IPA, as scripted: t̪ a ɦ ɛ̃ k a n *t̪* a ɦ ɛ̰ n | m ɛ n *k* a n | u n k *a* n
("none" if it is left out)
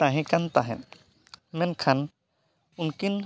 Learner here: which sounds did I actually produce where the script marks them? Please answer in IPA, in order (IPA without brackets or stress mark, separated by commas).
t̪, kʰ, i